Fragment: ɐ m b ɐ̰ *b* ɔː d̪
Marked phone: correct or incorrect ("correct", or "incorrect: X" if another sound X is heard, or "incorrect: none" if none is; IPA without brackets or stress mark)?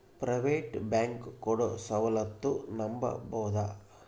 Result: correct